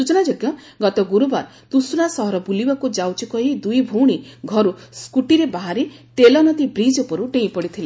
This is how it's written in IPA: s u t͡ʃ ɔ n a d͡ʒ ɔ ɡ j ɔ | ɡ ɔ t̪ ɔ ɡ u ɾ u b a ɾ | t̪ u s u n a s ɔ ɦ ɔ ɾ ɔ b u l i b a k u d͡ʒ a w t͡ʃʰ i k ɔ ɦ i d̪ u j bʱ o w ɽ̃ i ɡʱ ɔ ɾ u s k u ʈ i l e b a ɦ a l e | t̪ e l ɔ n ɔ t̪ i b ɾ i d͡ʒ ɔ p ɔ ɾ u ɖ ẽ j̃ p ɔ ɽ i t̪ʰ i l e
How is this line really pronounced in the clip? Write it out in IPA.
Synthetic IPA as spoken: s u t͡ʃ ɔ n a d͡ʒ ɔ ɡ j ɔ | ɡ ɔ t̪ ɔ ɡ u ɾ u b a ɾ | t̪ u s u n a s ɔ ɦ ɔ ɾ ɔ b u l i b a k u d͡ʒ a w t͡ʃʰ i k ɔ ɦ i d̪ u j bʱ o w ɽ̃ i ɡʱ ɔ ɾ u s k u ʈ i ɾ e b a ɦ a ɾ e | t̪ e l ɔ n ɔ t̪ i b ɾ i d͡ʒ ɔ p ɔ ɾ u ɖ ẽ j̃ p ɔ ɽ i t̪ʰ i l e